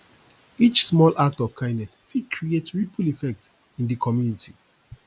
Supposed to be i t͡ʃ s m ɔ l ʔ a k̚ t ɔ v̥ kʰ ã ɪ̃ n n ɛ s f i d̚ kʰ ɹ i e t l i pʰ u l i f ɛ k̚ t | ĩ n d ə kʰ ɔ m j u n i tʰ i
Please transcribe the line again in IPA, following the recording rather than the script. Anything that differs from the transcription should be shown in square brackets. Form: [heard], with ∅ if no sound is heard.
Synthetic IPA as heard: i t͡ʃ s m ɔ l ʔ a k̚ t ɔ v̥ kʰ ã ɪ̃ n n ɛ s f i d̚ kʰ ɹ i e t [ɹ] i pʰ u l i f ɛ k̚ t | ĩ n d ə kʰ ɔ m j u n i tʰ i